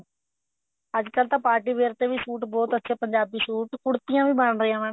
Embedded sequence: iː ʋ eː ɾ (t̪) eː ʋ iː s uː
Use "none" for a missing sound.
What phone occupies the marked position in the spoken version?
t̪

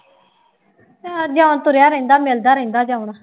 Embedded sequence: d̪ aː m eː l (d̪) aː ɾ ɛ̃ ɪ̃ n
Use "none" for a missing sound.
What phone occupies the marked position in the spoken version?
d̪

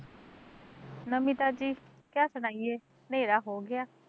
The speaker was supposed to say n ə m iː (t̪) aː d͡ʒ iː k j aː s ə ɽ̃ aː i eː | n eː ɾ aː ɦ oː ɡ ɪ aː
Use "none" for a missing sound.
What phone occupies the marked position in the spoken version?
t̪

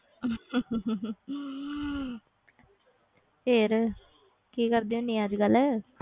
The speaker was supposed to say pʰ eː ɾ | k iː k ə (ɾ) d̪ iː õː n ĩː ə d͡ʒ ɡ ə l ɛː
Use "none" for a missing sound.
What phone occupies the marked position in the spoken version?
ɾ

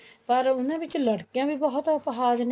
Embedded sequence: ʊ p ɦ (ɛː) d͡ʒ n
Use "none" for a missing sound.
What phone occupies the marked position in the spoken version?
aː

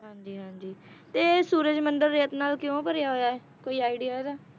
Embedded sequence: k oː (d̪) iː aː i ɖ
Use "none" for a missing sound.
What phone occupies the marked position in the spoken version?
none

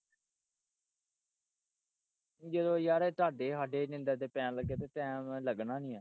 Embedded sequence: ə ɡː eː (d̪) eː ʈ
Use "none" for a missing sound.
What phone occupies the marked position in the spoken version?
t̪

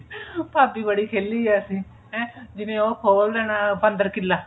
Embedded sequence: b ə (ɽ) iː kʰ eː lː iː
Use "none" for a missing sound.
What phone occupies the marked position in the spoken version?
ɽ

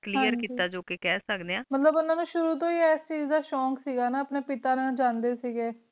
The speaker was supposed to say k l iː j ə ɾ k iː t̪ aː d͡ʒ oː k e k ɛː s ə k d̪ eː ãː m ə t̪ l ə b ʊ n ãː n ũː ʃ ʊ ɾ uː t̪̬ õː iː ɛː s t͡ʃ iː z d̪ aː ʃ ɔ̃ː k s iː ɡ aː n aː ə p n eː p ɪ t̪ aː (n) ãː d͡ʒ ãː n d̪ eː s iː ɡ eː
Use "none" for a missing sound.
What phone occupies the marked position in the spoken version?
n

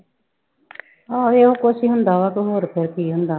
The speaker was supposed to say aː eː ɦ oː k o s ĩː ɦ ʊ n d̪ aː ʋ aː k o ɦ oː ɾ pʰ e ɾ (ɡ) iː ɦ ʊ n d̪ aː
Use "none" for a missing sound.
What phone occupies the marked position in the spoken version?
k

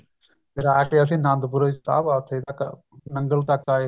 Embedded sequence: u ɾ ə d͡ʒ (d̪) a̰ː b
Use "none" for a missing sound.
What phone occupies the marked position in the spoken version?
t̪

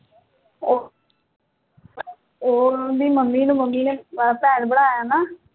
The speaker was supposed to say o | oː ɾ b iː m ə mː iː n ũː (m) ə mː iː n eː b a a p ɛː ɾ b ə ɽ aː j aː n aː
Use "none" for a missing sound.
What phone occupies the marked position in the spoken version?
m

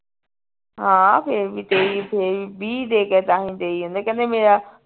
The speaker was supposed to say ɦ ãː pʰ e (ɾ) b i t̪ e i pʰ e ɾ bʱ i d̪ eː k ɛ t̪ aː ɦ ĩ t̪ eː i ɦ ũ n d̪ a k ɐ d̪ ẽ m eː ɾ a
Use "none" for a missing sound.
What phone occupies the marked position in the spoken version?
ɾ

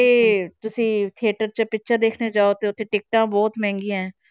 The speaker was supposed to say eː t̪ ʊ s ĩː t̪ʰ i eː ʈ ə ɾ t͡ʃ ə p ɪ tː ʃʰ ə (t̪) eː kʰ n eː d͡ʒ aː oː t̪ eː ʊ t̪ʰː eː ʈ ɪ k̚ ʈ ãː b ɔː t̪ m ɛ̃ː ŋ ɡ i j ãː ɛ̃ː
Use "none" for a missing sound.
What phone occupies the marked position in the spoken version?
d̪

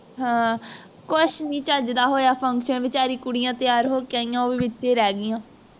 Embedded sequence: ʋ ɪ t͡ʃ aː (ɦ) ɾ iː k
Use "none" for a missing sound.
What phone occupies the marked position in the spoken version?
none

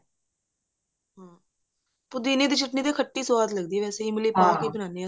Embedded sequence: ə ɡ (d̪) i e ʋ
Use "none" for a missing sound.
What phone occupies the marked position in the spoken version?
d̪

